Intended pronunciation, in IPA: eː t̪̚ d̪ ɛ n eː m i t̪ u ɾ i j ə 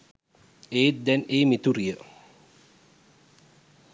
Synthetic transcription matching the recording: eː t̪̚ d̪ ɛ n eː m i t̪ u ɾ i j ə